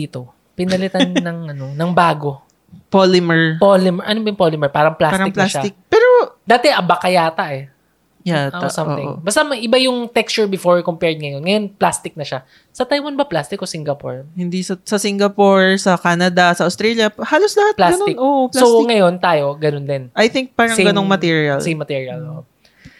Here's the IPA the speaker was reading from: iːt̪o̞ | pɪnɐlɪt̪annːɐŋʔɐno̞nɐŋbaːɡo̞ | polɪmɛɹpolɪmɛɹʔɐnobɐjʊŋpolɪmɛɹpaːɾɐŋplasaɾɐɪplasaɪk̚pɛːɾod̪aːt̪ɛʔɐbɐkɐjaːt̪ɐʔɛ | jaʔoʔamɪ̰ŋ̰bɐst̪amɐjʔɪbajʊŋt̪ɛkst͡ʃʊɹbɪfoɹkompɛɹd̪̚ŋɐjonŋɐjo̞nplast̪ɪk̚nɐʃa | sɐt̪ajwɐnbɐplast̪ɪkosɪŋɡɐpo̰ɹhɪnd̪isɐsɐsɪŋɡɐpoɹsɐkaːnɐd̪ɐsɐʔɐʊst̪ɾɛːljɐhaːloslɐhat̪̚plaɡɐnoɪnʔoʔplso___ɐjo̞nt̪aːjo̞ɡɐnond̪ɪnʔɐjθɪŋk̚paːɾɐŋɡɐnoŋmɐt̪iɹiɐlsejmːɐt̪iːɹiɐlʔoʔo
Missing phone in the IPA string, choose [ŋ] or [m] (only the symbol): ŋ